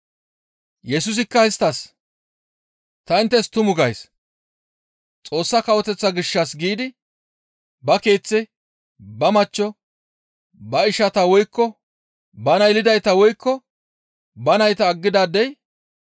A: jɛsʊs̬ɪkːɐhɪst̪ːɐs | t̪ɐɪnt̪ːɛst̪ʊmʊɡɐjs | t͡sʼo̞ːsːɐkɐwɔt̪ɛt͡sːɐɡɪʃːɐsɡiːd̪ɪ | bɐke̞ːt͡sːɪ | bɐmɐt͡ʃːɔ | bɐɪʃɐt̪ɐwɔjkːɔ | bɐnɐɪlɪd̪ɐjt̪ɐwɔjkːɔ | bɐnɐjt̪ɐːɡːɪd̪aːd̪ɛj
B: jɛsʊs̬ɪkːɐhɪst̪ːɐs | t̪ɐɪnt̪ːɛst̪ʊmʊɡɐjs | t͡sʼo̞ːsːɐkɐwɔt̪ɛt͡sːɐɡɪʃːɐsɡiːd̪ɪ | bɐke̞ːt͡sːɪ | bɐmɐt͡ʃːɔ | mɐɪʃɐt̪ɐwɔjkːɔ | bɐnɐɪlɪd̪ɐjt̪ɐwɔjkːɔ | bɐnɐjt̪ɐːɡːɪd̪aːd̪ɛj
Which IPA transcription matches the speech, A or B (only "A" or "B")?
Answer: A